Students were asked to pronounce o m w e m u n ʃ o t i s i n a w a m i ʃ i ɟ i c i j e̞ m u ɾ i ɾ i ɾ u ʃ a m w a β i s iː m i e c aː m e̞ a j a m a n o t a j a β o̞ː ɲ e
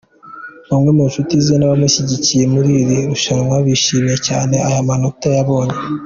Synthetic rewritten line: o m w e m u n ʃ u t i z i n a β a m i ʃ i ɟ i c i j e̞ m u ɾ i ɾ i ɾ u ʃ a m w a β i ʃ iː m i e c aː n e̞ a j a m a n o t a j a β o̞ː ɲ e